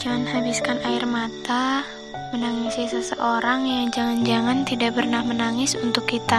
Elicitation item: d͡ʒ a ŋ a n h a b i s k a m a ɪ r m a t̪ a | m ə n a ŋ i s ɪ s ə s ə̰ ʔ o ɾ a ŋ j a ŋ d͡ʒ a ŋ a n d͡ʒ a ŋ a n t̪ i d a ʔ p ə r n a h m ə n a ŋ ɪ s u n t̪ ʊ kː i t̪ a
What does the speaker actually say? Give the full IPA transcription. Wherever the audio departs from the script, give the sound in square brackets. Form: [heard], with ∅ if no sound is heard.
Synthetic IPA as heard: d͡ʒ a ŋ a n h a b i s k a [n] a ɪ r m a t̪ a | m ə n a ŋ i s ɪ s ə s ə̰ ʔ o ɾ a ŋ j a ŋ d͡ʒ a ŋ a n d͡ʒ a ŋ a n t̪ i d a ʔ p ə r n a h m ə n a ŋ ɪ s u n t̪ ʊ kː i t̪ a